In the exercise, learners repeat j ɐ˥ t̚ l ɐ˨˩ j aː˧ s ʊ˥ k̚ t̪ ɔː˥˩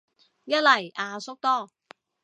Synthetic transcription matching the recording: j ɐ˥ t̚ l ɐ˨˩ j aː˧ s ʊ˥ k̚ t̪ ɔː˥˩

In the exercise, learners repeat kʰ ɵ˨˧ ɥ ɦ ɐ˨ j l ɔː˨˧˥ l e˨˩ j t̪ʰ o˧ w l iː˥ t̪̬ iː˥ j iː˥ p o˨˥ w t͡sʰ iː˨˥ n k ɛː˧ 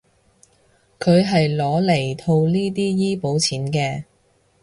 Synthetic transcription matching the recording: kʰ ɵ˨˧ ɥ ɦ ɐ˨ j l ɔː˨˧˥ l e˨˩ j t̪ʰ o˧ w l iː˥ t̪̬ iː˥ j iː˥ p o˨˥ w t͡sʰ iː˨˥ n k ɛː˧

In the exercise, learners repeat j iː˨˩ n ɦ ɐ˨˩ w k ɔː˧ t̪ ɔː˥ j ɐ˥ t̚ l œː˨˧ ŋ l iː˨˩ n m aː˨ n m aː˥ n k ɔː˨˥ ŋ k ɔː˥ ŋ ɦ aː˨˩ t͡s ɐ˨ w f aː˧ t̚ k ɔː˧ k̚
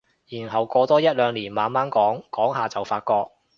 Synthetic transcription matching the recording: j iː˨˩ n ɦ ɐ˨˩ w k ɔː˧ t̪ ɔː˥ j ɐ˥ t̚ l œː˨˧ ŋ l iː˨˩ n m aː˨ n m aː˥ n k ɔː˨˥ ŋ k ɔː˨˥ ŋ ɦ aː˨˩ t͡s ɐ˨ w f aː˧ t̚ k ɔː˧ k̚

